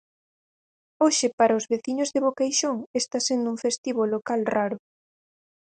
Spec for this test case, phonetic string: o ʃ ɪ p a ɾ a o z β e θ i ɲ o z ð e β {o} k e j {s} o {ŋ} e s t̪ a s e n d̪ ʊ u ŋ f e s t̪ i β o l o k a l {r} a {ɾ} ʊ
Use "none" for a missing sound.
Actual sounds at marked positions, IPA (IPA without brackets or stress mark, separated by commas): o, ʃ, ŋ, r, ɾ